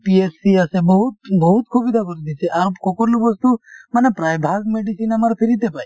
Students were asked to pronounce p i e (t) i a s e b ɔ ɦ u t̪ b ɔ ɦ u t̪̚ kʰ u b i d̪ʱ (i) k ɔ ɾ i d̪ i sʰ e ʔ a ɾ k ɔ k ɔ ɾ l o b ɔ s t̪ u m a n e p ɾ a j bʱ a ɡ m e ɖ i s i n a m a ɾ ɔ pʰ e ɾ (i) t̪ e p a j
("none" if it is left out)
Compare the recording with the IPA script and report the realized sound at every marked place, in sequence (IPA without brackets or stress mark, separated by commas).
s, a, i